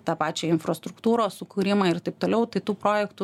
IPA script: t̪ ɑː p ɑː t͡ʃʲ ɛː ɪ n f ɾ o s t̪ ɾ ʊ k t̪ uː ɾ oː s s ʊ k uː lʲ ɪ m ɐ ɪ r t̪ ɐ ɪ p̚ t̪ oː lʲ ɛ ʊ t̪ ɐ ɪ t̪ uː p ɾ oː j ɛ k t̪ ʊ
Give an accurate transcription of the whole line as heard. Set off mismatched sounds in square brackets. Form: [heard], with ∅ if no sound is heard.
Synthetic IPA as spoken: t̪ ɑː p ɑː t͡ʃʲ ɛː ɪ n f ɾ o s t̪ ɾ ʊ k t̪ uː ɾ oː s s ʊ k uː [ɾʲ] ɪ m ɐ ɪ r t̪ ɐ ɪ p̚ t̪ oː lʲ ɛ ʊ t̪ ɐ ɪ t̪ uː p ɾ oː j ɛ k t̪ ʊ